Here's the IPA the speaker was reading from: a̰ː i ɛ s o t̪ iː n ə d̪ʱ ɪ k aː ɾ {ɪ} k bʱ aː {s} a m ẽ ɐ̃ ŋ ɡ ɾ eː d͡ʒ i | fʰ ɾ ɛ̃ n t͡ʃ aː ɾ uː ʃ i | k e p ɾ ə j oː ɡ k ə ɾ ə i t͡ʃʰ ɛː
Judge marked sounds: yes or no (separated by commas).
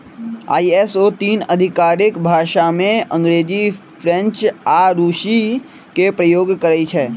yes, no